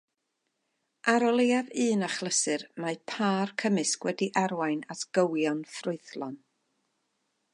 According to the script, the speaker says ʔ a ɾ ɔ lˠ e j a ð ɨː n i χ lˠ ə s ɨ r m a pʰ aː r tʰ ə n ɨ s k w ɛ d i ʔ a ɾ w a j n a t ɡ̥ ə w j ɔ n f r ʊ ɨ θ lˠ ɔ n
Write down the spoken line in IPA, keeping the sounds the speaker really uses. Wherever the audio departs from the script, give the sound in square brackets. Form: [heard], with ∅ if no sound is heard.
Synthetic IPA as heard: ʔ a ɾ ɔ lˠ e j a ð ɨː n [a] χ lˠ ə s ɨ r m a pʰ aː r [kʰ] ə [m] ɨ s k w ɛ d i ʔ a ɾ w a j n a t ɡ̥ ə w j ɔ n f r ʊ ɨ θ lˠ ɔ n